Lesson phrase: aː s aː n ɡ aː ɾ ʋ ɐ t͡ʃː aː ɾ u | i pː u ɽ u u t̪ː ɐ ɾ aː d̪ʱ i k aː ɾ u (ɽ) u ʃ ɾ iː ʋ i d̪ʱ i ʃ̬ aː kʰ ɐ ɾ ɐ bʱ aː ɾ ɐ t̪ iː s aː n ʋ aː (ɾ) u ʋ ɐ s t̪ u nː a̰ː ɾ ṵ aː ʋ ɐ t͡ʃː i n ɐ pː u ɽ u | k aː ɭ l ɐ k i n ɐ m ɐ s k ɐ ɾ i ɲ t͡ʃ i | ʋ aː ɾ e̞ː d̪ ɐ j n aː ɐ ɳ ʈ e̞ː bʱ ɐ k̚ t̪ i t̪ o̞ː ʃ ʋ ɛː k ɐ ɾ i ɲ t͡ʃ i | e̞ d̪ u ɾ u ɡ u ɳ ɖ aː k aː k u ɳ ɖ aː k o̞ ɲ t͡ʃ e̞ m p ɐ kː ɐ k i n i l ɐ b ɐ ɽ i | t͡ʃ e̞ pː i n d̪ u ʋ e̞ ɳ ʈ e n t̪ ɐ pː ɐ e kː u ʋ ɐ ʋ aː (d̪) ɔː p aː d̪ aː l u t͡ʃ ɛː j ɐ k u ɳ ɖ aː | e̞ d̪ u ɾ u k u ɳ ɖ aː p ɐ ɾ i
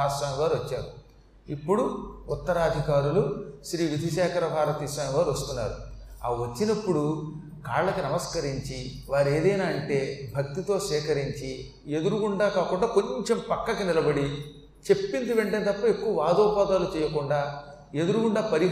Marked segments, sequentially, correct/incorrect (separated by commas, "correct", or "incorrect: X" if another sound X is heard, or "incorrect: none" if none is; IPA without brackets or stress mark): incorrect: l, correct, correct